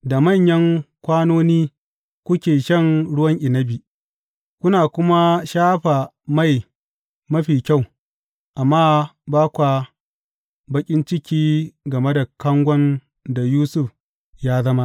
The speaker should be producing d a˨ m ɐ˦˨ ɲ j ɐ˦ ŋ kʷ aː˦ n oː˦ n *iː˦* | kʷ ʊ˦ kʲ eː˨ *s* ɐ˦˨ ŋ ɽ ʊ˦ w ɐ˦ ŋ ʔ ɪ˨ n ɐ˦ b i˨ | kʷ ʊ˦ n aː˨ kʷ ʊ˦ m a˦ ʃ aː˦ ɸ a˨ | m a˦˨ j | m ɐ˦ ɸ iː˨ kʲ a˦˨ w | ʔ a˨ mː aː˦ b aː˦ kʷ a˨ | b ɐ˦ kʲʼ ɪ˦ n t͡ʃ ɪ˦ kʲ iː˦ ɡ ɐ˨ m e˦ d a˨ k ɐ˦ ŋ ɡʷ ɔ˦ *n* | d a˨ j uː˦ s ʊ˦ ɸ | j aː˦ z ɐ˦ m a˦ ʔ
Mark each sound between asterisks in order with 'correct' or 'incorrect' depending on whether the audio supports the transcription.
correct, incorrect: ʃ, correct

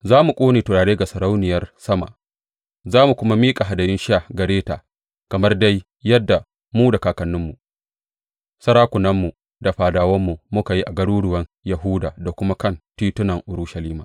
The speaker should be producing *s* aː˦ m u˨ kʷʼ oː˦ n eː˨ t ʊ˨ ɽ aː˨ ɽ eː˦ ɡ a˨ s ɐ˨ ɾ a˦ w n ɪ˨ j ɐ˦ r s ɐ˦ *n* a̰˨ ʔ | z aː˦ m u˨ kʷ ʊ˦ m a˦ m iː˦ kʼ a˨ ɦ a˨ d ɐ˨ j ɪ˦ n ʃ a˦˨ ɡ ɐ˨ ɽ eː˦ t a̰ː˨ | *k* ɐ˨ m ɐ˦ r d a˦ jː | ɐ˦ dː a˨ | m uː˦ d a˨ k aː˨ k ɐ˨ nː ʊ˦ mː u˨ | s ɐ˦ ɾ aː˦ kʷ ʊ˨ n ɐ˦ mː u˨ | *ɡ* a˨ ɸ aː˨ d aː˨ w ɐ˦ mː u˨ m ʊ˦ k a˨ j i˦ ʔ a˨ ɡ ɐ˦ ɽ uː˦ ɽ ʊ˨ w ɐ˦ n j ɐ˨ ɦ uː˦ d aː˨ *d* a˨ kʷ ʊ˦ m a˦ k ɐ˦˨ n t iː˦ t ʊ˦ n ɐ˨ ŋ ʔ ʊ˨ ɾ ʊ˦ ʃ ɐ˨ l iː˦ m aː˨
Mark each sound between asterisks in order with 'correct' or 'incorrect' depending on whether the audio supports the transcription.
incorrect: z, incorrect: m, correct, incorrect: d, correct

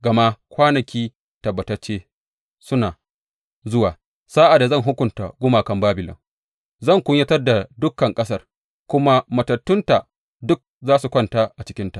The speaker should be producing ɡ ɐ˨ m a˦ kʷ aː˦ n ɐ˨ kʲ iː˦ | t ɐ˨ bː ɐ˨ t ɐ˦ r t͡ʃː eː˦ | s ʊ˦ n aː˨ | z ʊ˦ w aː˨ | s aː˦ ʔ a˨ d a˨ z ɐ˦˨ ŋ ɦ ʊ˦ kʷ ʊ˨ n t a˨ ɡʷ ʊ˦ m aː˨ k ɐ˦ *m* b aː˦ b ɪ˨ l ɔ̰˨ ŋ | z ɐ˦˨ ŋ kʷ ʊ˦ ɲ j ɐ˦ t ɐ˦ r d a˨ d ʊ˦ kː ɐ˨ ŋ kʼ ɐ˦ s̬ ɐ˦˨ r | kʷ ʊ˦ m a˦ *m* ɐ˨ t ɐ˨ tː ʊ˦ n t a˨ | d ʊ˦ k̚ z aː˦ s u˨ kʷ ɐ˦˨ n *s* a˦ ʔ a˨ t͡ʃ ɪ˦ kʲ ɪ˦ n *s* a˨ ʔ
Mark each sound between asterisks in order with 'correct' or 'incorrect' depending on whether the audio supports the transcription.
correct, correct, incorrect: t, incorrect: t

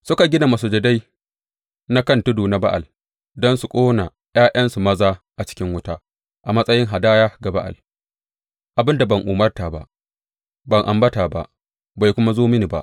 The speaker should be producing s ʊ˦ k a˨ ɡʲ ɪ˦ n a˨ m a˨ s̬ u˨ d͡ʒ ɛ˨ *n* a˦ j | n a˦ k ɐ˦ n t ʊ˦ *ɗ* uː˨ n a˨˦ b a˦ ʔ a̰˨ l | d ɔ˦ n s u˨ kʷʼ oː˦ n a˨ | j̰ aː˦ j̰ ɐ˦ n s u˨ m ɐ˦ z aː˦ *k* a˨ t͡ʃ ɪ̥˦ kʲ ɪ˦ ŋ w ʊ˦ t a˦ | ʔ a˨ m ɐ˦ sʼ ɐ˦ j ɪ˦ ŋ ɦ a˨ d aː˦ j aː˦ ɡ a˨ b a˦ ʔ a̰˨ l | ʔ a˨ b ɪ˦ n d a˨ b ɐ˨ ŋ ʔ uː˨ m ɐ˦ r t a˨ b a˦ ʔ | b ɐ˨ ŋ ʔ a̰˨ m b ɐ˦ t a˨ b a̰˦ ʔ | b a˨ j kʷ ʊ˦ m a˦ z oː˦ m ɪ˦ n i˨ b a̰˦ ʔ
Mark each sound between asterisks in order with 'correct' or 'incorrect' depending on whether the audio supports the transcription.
incorrect: d, incorrect: d, incorrect: ʔ

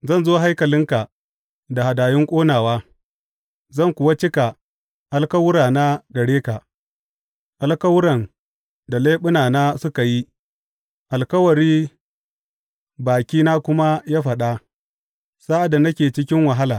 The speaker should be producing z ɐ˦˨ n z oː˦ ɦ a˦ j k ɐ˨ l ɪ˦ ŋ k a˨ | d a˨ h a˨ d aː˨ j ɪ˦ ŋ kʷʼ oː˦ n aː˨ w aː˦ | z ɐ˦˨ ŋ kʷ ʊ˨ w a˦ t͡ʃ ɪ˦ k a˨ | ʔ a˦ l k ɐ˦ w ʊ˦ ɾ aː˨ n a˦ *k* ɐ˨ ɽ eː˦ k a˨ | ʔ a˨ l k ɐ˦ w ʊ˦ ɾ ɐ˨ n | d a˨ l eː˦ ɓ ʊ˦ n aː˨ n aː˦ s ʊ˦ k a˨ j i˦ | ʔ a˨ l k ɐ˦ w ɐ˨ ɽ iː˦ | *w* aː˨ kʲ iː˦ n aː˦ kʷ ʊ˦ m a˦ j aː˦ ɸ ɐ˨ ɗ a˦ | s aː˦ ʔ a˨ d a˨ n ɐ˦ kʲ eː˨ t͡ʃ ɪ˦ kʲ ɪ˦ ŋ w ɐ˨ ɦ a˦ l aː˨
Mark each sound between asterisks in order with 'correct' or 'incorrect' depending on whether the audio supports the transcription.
incorrect: ɡ, incorrect: b

